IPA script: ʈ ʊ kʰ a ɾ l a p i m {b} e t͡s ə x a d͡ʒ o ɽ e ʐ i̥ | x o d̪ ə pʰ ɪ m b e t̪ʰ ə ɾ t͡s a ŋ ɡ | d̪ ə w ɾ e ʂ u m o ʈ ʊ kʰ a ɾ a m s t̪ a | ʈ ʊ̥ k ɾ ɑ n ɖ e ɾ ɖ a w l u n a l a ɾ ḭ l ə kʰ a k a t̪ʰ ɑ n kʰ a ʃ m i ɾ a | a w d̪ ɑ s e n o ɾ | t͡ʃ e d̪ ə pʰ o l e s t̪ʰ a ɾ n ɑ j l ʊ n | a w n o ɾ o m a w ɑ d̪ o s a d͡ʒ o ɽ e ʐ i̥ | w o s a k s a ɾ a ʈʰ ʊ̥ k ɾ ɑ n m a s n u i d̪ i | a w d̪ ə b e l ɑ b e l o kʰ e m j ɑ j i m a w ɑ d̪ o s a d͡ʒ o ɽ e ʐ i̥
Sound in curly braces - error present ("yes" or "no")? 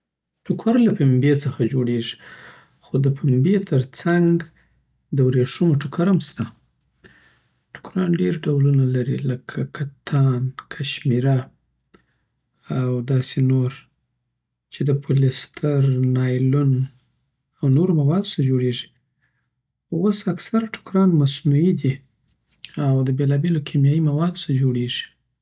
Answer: no